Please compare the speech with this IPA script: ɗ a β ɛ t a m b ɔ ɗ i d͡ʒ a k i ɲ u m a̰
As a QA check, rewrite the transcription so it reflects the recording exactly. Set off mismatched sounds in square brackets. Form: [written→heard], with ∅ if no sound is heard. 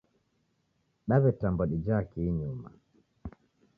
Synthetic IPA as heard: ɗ a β ɛ t a m b ɔ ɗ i d͡ʒ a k i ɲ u m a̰